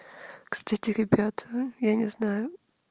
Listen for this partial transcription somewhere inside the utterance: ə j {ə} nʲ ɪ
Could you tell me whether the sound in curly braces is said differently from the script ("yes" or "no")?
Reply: yes